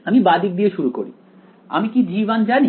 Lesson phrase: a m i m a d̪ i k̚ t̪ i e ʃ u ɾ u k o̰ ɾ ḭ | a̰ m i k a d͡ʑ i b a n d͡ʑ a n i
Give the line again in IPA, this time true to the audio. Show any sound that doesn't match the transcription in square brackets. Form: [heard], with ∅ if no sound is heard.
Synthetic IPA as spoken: a m i [b] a d̪ i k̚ [d̪] i e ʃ u ɾ u k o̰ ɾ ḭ | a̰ m i k [i] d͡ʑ i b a n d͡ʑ a n i